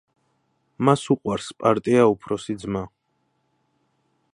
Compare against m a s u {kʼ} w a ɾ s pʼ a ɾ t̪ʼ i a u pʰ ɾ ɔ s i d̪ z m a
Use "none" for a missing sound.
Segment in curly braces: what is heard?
qʼ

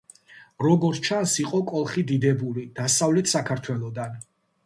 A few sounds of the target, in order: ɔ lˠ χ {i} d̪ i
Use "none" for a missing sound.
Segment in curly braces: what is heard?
i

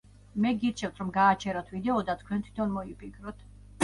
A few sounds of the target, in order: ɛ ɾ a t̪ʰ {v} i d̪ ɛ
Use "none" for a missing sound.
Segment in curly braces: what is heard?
v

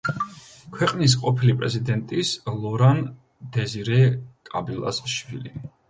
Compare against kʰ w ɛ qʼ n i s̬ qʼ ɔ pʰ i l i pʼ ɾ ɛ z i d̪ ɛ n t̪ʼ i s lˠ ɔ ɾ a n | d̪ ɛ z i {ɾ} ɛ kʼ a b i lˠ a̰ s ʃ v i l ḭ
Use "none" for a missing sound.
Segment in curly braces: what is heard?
ɾ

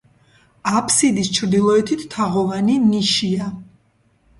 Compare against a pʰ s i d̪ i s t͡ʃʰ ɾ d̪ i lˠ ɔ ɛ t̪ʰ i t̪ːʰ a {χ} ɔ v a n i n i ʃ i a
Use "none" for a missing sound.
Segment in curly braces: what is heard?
ʁ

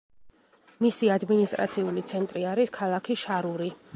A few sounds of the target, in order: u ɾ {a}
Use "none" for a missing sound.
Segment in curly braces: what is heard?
i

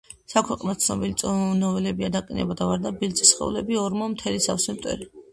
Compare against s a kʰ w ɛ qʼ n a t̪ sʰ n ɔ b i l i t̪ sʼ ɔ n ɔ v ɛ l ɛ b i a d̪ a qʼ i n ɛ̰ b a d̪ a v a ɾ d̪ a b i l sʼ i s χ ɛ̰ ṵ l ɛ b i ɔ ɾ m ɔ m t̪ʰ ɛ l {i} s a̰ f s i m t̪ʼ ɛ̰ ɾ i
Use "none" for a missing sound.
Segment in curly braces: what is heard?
i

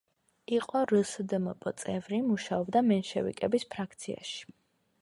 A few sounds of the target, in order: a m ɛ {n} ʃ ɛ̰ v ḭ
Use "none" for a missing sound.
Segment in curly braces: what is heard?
n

